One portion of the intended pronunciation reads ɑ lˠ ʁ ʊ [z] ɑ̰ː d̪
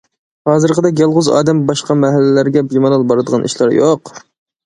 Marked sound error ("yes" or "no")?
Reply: no